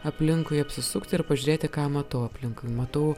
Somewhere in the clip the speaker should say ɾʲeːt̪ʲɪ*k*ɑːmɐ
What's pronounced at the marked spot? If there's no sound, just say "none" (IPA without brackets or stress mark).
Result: k